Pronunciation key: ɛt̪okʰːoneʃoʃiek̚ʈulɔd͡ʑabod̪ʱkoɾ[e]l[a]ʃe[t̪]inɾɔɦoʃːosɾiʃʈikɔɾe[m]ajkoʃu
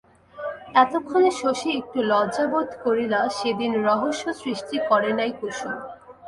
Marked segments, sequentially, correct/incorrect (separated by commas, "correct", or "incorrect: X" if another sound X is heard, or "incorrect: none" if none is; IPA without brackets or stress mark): incorrect: i, correct, incorrect: d̪, incorrect: n